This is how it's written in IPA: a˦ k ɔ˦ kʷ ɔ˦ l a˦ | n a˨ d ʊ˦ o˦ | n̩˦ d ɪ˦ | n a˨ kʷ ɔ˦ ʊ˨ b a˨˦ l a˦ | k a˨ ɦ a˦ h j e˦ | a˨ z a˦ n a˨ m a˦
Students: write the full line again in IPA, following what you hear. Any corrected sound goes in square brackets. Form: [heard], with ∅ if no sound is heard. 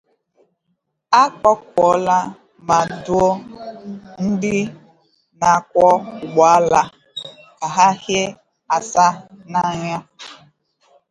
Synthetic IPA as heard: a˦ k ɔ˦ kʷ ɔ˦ l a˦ | [m] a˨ d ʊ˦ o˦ | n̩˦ d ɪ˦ | n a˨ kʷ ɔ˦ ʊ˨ [ɡ͡b] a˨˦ l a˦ | k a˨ ɦ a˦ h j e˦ | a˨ [s] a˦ n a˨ [ɲ] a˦